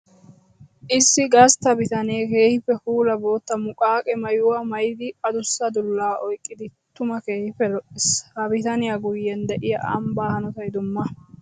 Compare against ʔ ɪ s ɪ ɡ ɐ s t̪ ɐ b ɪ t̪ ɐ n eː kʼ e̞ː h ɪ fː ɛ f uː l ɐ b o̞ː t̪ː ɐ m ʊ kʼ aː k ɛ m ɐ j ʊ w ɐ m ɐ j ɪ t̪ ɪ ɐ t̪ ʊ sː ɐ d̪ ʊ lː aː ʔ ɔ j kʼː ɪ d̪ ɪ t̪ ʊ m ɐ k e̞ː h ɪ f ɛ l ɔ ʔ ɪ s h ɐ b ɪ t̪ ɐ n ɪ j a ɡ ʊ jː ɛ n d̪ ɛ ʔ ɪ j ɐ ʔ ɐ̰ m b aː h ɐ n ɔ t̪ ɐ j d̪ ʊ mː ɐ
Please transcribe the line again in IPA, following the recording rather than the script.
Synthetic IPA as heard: ʔ ɪ sː ɪ ɡ ɐ s t̪ ɐ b ɪ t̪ ɐ n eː k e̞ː h ɪ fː ɛ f uː l ɐ b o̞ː t̪ː ɐ m ʊ kʼ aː kʼ ɛ m ɐ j ʊ w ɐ m ɐ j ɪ d̪ ɪ ɐ d̪ ʊ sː ɐ d̪ ʊ lː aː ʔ ɔ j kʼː ɪ d̪ ɪ t̪ ʊ m ɐ k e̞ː h ɪ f ɛ l ɔ ʔ ɪ s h ɐ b ɪ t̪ ɐ n ɪ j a ɡ ʊ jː ɛ n d̪ ɛ ʔ ɪ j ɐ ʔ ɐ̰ m b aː h ɐ n ɔ t̪ ɐ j d̪ ʊ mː ɐ